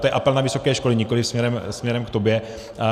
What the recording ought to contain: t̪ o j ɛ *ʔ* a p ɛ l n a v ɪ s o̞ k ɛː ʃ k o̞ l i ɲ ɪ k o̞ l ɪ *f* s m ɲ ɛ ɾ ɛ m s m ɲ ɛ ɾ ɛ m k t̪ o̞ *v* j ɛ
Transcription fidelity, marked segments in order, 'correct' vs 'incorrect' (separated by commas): correct, correct, incorrect